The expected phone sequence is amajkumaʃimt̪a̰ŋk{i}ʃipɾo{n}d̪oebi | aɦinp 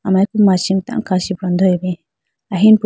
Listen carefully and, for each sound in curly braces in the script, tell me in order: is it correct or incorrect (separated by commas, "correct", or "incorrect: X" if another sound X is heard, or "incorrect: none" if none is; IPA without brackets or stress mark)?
incorrect: a, correct